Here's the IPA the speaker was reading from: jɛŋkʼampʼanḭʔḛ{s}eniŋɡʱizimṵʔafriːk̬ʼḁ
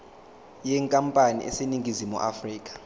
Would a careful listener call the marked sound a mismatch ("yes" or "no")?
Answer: no